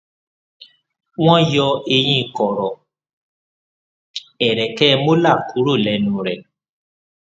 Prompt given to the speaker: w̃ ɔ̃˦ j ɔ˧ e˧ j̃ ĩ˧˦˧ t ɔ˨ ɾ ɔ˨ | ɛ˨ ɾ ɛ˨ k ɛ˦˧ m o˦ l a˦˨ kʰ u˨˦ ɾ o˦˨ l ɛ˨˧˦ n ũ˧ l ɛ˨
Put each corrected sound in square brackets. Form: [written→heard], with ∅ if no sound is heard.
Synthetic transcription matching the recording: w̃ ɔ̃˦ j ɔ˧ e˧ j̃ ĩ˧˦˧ [t→k] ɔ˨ ɾ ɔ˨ | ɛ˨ ɾ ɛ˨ k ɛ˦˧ m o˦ l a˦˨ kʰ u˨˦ ɾ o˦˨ l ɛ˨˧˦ n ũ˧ [l→ɾ] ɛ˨

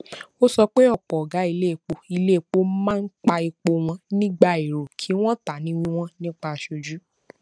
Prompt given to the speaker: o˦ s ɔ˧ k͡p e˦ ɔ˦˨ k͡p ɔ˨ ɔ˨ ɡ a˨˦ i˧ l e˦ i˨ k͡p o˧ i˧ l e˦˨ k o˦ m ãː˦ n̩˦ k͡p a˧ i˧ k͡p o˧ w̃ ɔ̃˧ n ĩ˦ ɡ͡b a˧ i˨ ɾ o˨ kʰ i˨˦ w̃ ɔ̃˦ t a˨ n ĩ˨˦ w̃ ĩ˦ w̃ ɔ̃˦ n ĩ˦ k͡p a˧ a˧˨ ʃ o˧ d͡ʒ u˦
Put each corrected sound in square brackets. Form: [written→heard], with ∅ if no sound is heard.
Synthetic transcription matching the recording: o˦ s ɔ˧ k͡p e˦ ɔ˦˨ k͡p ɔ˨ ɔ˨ ɡ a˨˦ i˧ l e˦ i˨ k͡p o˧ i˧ l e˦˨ [k→k͡p] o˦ m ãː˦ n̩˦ k͡p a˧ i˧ k͡p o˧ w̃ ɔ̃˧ n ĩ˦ ɡ͡b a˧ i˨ ɾ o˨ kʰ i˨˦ w̃ ɔ̃˦ t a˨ n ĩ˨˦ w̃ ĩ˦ w̃ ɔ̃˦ n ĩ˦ k͡p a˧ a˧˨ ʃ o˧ d͡ʒ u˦

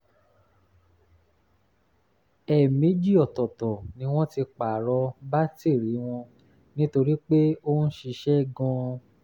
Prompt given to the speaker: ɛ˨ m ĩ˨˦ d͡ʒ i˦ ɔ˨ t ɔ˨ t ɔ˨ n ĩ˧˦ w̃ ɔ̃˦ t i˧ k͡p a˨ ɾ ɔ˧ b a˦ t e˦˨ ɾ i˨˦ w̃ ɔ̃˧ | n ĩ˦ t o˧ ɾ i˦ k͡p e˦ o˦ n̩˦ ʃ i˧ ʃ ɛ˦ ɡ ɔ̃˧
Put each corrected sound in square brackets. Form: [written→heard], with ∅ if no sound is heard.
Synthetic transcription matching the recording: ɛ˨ m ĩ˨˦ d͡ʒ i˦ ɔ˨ t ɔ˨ t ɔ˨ n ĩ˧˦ w̃ ɔ̃˦ t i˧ k͡p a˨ ɾ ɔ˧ b a˦ t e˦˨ ɾ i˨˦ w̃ ɔ̃˧ | n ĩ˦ t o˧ ɾ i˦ k͡p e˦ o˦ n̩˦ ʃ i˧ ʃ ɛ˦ ɡ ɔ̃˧

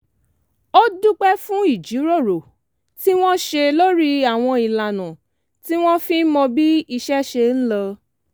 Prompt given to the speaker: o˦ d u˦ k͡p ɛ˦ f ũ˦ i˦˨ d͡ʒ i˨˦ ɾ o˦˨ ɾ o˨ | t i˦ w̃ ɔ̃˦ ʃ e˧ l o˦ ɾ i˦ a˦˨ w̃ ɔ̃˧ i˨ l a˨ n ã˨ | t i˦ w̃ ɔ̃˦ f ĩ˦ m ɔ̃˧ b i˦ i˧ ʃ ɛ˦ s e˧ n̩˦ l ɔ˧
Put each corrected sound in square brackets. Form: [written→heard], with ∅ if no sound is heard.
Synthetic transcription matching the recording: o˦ d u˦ k͡p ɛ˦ f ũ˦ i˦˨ d͡ʒ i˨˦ ɾ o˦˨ ɾ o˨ | t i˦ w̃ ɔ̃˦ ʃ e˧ l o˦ ɾ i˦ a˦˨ w̃ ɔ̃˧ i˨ l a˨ n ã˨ | t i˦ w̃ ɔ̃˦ f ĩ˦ m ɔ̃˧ b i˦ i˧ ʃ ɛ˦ [s→ʃ] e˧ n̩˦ l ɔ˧

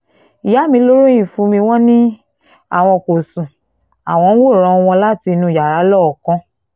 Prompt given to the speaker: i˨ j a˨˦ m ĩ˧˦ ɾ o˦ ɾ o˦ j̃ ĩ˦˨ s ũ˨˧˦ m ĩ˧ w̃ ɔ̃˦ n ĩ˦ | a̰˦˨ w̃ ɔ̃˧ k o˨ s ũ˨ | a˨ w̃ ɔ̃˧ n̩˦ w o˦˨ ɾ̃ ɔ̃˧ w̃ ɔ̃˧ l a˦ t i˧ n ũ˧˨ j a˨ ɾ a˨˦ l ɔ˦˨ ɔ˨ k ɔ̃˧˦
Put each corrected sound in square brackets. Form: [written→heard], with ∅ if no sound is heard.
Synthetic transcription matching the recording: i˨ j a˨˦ m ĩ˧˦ [ɾ→l] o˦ ɾ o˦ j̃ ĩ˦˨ [s→f] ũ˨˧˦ m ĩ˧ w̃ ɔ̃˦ n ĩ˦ | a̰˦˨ w̃ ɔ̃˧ k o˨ s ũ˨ | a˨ w̃ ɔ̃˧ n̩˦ w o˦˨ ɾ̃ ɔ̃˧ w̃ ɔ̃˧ l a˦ t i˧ n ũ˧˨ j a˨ ɾ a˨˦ l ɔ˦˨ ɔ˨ k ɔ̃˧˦

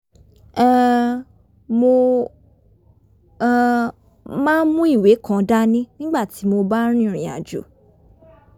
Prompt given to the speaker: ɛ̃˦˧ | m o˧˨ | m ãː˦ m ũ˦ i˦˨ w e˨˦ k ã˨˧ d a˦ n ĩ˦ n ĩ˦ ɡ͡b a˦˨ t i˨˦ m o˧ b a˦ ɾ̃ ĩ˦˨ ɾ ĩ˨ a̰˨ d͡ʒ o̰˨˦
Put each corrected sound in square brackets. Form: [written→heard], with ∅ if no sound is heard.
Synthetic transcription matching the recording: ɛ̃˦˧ | m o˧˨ | m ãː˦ m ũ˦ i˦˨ w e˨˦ k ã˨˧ d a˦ n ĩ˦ n ĩ˦ ɡ͡b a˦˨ t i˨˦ m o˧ b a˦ ɾ̃ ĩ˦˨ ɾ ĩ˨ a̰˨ d͡ʒ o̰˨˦

